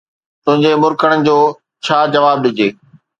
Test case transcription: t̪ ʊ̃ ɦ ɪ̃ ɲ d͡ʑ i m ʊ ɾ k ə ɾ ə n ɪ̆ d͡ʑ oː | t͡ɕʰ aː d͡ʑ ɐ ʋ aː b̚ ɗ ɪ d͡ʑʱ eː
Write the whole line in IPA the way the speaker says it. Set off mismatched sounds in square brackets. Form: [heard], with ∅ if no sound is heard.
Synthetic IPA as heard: t̪ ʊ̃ ɦ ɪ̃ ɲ d͡ʑ [e] m ʊ ɾ k ə [ɽ] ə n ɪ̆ d͡ʑ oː | t͡ɕʰ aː d͡ʑ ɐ ʋ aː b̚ ɗ ɪ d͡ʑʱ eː